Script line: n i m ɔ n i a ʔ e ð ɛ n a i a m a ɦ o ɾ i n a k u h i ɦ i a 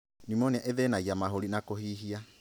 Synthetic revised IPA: n i m ɔ n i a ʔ e ð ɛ n a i a m a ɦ o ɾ i n a k o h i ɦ i a